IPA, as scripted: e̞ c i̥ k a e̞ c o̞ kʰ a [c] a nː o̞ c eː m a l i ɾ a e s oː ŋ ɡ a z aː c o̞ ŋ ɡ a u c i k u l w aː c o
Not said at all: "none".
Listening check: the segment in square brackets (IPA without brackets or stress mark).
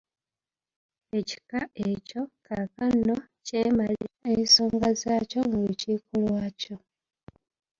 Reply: k